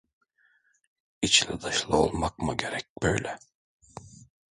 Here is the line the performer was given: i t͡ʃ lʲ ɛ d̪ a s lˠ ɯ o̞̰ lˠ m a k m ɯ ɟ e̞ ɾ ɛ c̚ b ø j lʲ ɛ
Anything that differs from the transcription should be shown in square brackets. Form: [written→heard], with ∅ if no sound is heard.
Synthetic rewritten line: i t͡ʃ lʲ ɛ d̪ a [s→ʃ] lˠ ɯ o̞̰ lˠ m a k m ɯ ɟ e̞ ɾ ɛ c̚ b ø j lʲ ɛ

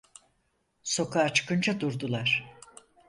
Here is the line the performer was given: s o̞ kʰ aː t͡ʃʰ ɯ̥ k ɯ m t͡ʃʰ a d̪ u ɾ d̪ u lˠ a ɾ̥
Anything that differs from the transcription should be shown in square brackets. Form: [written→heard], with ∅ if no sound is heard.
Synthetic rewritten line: s o̞ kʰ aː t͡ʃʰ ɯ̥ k ɯ [m→n] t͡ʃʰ a d̪ u ɾ d̪ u lˠ a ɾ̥

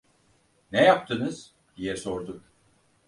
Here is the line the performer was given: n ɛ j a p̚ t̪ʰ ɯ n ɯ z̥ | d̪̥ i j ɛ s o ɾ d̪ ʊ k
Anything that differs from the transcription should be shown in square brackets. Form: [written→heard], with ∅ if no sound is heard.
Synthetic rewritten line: n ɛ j a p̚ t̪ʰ ɯ n ɯ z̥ | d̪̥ i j ɛ s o ɾ d̪ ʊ k

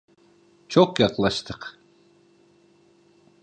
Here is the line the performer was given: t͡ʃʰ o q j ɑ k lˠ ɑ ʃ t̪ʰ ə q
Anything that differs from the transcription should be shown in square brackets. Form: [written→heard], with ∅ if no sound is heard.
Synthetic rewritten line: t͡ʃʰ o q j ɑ [k→q] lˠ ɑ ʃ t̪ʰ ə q

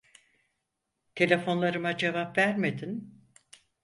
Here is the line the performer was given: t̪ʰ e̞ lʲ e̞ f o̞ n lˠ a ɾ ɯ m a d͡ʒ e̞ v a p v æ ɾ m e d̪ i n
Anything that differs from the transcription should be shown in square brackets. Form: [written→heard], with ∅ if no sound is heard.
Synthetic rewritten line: t̪ʰ e̞ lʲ e̞ f o̞ n lˠ a ɾ ɯ m a d͡ʒ e̞ v a p v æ ɾ m e d̪ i n

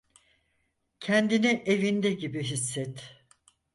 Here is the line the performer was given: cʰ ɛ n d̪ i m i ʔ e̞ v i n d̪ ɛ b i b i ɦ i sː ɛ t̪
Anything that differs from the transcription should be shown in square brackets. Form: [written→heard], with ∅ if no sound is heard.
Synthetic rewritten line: cʰ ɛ n d̪ i [m→n] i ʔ e̞ v i n d̪ ɛ [b→ɟ] i b i ɦ i sː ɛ t̪

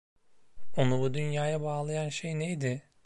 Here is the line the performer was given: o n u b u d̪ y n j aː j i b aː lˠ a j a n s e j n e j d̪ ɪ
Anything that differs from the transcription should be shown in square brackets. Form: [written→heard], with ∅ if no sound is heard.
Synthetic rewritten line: o n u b u d̪ y n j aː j [i→a] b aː lˠ a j a n [s→ʃ] e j n e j d̪ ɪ

